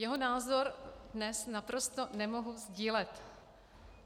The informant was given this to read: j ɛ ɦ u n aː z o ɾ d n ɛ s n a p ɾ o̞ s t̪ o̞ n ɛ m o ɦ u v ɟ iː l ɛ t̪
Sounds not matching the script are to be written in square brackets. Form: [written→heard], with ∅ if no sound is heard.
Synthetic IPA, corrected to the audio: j ɛ ɦ [u→o] n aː z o ɾ d n ɛ s n a p ɾ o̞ s t̪ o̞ n ɛ m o ɦ u [v→z] ɟ iː l ɛ t̪